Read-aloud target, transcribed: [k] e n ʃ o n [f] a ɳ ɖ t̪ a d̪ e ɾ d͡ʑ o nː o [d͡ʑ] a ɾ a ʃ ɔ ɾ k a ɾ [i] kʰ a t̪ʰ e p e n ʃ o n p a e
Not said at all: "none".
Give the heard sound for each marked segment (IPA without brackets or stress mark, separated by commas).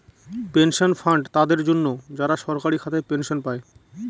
p, f, d͡ʑ, i